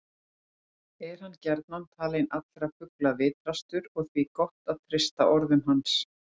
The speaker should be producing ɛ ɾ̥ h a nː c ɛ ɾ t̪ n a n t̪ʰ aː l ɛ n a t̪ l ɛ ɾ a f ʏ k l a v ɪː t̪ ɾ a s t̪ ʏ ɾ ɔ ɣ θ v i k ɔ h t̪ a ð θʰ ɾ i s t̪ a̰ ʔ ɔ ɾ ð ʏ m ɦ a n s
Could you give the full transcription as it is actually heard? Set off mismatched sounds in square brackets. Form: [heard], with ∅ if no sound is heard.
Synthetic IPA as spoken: ɛ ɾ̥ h a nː c ɛ ɾ t̪ n a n t̪ʰ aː l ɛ n a t̪ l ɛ ɾ a f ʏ k l a v ɪː t̪ ɾ a s t̪ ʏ ɾ ɔ ɣ θ v i k ɔ h t̪ a ð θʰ ɾ [ɪ] s t̪ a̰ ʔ ɔ ɾ ð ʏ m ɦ a n s